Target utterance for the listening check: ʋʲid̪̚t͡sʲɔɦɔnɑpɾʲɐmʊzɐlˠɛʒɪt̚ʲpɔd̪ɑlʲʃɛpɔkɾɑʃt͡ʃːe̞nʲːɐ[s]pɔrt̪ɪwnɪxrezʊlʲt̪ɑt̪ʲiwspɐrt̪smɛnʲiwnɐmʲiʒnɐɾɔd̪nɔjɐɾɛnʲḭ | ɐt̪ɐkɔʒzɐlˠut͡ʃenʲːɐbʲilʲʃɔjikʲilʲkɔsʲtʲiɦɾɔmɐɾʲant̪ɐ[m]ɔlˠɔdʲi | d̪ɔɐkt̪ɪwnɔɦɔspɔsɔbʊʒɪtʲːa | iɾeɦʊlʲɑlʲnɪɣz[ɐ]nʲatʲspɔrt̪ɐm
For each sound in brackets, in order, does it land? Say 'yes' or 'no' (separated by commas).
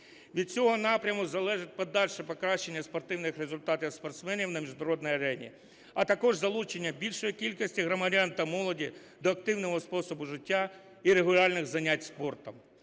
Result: yes, yes, yes